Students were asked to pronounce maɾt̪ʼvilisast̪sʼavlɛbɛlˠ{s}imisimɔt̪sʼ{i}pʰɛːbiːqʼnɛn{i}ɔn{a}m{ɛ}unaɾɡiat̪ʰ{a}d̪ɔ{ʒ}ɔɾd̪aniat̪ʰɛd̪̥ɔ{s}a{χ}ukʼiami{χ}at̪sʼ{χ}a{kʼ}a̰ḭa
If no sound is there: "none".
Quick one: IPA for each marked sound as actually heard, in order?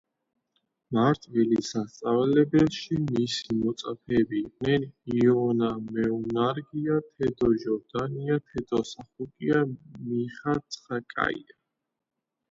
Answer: ʃ, a, i, a, ɛ, ɛ, ʒ, s, χ, χ, χ, kʼ

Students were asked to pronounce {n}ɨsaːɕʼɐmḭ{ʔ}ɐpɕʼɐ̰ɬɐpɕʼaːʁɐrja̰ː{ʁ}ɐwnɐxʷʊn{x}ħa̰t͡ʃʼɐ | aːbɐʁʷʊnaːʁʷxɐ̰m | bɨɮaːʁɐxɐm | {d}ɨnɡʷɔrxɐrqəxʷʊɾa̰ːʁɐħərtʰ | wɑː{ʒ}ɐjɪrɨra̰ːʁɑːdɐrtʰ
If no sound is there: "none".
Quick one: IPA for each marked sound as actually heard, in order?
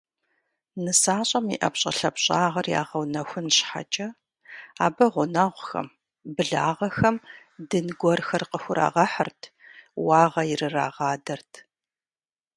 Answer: n, ʔ, ʁ, ɕ, d, ʁ

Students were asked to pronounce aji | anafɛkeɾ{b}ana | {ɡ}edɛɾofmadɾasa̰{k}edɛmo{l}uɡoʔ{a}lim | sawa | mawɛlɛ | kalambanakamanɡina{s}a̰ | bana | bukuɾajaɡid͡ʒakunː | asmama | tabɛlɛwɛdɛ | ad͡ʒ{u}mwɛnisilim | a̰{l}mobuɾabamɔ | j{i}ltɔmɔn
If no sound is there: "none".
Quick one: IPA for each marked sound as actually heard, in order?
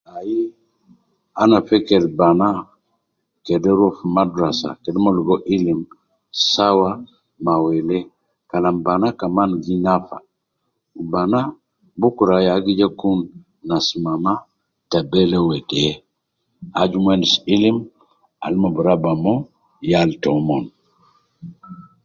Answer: b, k, k, l, i, f, u, l, a

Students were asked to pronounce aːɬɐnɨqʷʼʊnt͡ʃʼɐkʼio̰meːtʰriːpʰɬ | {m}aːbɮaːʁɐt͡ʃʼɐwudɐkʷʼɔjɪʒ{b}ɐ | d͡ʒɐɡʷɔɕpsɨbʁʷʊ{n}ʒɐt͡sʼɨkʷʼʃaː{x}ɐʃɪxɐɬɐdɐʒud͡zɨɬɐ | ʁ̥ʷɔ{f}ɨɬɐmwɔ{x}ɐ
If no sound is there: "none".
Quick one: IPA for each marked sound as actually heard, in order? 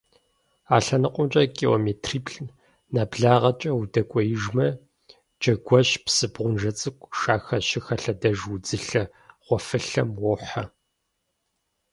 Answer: n, m, n, x, f, ħ

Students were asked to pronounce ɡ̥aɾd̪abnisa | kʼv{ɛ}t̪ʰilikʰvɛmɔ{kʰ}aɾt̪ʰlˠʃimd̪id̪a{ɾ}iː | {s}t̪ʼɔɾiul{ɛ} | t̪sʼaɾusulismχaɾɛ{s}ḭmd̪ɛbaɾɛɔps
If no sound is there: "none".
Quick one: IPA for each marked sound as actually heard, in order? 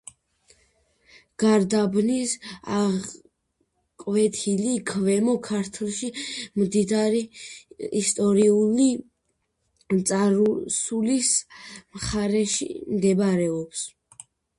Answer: ɛ, kʰ, ɾ, s, i, ʃ

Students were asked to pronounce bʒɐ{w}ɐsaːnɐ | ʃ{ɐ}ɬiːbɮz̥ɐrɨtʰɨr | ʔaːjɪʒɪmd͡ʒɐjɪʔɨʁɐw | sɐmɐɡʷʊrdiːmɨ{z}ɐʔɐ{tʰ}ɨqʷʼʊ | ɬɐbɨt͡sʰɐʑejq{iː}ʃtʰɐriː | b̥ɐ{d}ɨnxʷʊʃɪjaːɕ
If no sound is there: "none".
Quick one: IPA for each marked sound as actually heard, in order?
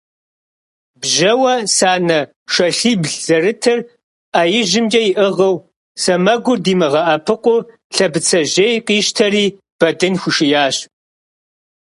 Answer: w, ɐ, ʁ, pʰ, iː, d

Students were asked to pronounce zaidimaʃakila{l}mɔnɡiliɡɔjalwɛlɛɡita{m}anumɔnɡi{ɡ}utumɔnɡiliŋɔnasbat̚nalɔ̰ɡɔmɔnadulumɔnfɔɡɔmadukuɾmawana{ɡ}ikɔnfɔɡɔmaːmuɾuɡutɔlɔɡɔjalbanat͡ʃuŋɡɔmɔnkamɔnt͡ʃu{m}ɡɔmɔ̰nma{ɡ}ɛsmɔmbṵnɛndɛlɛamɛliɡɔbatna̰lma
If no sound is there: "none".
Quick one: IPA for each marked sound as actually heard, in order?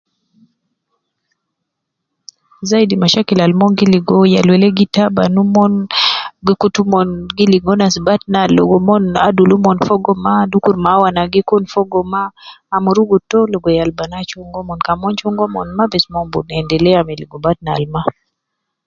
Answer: l, b, k, ɡ, ŋ, b

